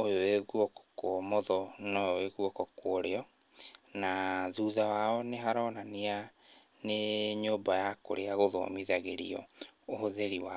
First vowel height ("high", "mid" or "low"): mid